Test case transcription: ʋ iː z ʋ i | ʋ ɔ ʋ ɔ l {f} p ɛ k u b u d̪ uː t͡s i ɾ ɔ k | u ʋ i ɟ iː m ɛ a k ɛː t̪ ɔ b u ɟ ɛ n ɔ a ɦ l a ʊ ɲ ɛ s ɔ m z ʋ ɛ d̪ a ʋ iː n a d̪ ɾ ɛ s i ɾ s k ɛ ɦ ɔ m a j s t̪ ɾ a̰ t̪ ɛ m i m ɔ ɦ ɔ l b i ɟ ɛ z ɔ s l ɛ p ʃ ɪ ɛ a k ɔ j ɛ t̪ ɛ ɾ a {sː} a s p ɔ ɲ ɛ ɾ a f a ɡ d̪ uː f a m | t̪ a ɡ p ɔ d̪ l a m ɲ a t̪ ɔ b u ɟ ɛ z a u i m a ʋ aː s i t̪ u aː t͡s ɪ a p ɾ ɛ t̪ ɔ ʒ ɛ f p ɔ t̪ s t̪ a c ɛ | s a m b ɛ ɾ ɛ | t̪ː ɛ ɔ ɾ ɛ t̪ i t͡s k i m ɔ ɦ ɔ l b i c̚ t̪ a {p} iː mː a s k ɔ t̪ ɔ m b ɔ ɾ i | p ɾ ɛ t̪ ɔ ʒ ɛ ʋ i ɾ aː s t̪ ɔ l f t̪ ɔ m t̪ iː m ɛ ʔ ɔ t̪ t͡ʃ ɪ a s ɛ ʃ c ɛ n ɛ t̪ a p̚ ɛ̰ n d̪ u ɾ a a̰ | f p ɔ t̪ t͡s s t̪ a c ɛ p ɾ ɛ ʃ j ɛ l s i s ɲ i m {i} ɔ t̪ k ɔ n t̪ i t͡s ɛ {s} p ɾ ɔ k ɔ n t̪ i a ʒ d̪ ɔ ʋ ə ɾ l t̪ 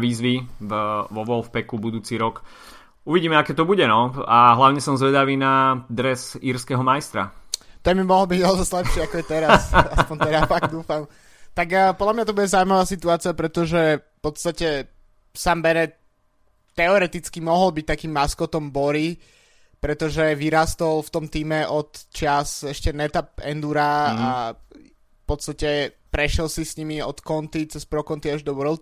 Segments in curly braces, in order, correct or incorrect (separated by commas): correct, incorrect, incorrect, correct, correct